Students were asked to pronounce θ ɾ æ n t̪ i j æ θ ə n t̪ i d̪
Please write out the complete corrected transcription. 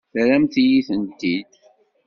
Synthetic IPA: θ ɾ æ m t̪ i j i θ ə n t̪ i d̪